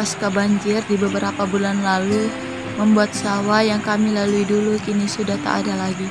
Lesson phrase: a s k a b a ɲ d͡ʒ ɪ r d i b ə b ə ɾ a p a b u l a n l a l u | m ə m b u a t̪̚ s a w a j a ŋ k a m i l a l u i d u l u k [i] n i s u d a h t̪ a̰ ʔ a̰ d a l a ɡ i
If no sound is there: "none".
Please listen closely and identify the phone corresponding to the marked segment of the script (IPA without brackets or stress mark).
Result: i